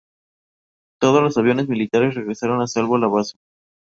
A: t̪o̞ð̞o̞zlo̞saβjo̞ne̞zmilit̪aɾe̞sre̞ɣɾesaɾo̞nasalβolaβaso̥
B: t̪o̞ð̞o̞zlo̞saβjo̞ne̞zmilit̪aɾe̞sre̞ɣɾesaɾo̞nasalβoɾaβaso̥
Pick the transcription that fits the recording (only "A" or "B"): A